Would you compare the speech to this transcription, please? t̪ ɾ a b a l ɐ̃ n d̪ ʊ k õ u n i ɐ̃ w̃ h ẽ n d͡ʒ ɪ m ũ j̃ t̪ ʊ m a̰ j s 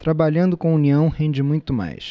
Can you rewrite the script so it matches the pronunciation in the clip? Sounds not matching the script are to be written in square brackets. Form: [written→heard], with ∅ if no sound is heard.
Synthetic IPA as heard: t̪ ɾ a b a [l→ʎ] ɐ̃ n d̪ ʊ k õ u n i ɐ̃ w̃ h ẽ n d͡ʒ ɪ m ũ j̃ t̪ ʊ m a̰ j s

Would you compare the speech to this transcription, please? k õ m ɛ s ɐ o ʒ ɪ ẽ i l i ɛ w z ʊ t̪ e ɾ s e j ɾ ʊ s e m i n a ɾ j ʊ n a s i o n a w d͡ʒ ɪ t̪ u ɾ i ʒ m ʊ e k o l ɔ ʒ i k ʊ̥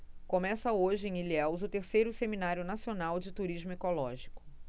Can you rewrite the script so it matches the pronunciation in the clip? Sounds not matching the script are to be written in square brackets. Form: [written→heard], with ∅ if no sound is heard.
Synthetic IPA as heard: k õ m ɛ s ɐ o ʒ ɪ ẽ i l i ɛ w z ʊ t̪ e ɾ s e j ɾ ʊ s e m i n a ɾ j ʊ n a s i o n a w d͡ʒ ɪ t̪ u ɾ i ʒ m ʊ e k o l ɔ ʒ i k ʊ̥

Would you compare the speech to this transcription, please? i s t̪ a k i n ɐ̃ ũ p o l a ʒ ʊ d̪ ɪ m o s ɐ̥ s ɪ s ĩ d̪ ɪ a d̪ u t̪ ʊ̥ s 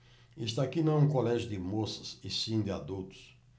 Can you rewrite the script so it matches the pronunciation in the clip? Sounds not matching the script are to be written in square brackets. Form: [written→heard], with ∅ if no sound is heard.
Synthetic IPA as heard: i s t̪ a k i n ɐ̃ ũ [p→k] o l [a→ɛ] ʒ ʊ d̪ ɪ m o s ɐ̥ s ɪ s ĩ d̪ ɪ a d̪ u t̪ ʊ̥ s

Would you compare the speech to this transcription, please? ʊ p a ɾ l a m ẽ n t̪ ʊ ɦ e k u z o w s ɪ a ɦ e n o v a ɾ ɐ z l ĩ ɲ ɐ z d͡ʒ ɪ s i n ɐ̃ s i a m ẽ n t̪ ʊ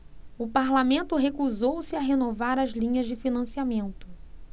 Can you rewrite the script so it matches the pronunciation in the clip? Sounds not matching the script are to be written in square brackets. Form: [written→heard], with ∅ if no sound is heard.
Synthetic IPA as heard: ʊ p a ɾ l a m ẽ n t̪ ʊ ɦ e k u z o w s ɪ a ɦ e n o v a ɾ ɐ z l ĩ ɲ ɐ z d͡ʒ ɪ [s→f] i n ɐ̃ s i a m ẽ n t̪ ʊ

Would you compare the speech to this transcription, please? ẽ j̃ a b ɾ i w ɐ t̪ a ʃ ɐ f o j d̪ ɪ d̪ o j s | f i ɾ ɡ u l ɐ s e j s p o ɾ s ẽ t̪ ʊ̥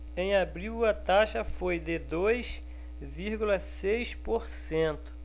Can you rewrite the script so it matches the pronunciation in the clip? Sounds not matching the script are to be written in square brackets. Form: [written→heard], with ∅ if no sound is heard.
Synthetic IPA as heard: ẽ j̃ a b ɾ i w ɐ t̪ a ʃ ɐ f o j d̪ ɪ d̪ o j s | [f→v] i ɾ ɡ u l ɐ s e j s p o ɾ s ẽ t̪ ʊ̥

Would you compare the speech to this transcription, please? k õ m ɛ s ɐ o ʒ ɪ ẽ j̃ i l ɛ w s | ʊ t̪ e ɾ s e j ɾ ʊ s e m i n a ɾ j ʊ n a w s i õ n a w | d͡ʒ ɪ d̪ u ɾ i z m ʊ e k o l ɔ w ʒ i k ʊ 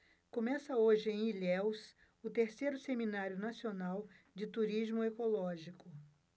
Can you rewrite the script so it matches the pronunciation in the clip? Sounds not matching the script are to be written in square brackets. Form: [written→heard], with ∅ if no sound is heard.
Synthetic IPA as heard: k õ m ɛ s ɐ o ʒ ɪ ẽ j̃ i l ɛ w s | ʊ t̪ e ɾ s e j ɾ ʊ s e m i n a ɾ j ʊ n a [w→∅] s i [õ→o] n a w | d͡ʒ ɪ [d̪→t̪] u ɾ i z m ʊ e k o l ɔ [w→∅] ʒ i k ʊ

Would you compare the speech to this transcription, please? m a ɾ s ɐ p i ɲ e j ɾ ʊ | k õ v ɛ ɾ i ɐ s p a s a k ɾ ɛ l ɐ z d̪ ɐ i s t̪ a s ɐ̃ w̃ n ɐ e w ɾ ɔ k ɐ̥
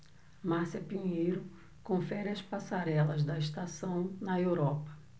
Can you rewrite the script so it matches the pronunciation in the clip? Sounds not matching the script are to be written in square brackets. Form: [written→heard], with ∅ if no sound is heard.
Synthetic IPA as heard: m a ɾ s ɐ p i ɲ e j ɾ ʊ | k õ [v→f] ɛ ɾ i ɐ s p a s a [k→∅] ɾ ɛ l ɐ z d̪ ɐ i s t̪ a s ɐ̃ w̃ n ɐ e w ɾ ɔ [k→p] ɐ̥

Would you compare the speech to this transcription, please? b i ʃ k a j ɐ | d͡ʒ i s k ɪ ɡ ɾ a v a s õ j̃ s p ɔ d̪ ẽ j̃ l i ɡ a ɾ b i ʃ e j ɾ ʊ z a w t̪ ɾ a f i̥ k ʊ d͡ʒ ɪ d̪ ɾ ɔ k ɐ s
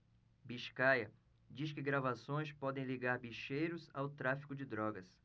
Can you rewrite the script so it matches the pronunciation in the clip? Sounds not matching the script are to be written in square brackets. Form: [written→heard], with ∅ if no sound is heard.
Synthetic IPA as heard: b i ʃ k a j ɐ | d͡ʒ i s k ɪ ɡ ɾ a v a s õ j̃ s p ɔ d̪ ẽ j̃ l i ɡ a ɾ b i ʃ e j ɾ ʊ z a w t̪ ɾ a f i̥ k ʊ d͡ʒ ɪ d̪ ɾ ɔ [k→ɡ] ɐ s

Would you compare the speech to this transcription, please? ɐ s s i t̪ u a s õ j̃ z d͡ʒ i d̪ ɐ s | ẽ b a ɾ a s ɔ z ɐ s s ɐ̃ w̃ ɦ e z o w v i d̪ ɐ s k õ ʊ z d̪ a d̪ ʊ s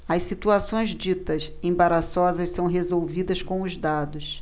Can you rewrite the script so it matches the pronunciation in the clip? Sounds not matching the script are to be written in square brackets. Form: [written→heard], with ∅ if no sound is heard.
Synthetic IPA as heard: ɐ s s i t̪ u a s õ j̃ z d͡ʒ i [d̪→t̪] ɐ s | ẽ b a ɾ a s ɔ z ɐ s s ɐ̃ w̃ ɦ e z o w v i d̪ ɐ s k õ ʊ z d̪ a d̪ ʊ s

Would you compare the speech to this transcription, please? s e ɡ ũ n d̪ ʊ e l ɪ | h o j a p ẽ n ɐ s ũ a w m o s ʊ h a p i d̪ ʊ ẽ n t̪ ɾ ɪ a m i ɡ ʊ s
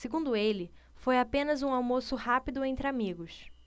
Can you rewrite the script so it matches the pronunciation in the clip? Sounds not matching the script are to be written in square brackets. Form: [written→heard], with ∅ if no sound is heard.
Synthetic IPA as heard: s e ɡ ũ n d̪ ʊ e l ɪ | [h→f] o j a p ẽ n ɐ [s→z] ũ a w m o s ʊ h a p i d̪ ʊ ẽ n t̪ ɾ ɪ a m i ɡ ʊ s

